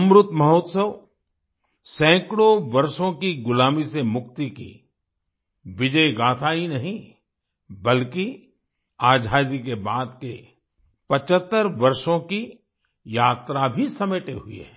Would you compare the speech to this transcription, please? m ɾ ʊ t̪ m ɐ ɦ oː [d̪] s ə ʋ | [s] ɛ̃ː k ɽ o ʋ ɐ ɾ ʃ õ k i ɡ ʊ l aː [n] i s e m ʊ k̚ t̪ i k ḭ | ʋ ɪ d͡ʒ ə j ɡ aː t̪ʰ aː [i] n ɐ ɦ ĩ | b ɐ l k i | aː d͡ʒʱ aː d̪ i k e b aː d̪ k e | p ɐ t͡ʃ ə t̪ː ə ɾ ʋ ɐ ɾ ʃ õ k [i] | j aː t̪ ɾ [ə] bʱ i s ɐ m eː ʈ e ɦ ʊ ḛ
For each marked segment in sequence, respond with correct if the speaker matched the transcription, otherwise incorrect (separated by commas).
incorrect, correct, incorrect, correct, correct, incorrect